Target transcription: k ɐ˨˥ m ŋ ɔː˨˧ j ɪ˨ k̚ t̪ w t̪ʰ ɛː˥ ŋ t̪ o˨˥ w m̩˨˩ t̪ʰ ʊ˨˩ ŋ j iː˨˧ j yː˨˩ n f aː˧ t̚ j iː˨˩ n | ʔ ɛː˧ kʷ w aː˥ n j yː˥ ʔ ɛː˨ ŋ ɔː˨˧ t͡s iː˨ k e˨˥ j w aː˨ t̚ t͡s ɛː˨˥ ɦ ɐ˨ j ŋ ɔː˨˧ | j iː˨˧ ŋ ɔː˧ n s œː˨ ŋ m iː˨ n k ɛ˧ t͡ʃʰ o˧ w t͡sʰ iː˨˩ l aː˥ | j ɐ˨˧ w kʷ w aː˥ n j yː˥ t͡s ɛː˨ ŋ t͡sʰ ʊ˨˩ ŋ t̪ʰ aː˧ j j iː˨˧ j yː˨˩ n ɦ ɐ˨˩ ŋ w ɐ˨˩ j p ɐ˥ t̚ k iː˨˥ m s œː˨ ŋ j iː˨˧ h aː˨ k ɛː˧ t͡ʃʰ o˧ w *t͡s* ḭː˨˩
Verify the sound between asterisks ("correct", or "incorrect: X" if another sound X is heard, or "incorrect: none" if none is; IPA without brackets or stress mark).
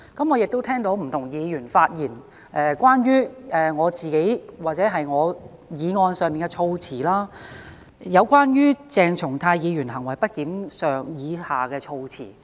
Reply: incorrect: t͡sʰ